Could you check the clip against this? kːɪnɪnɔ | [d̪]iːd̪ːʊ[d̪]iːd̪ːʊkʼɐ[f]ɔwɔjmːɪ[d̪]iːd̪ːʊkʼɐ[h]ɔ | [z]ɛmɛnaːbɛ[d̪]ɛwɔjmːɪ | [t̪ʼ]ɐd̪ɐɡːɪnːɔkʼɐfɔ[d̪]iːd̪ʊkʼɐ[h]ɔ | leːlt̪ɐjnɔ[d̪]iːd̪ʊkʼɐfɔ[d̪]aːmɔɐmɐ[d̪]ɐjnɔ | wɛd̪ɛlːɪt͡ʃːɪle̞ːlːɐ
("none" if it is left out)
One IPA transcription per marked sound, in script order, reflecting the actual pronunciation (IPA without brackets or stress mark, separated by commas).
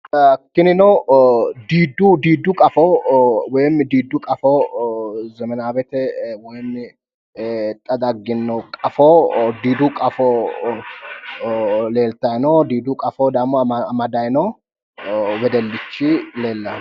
d̪, d̪, f, d̪, f, z, t̪, t̪ʼ, d̪, f, d̪, d̪, d̪